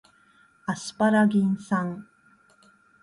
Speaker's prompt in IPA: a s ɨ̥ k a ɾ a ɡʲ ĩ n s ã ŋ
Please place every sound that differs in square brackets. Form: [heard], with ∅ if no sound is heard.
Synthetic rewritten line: a s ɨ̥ [p] a ɾ a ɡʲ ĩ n s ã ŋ